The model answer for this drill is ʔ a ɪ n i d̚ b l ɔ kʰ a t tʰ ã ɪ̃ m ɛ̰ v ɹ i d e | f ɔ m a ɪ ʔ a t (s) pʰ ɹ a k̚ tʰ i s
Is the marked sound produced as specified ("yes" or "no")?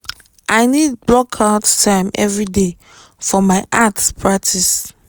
yes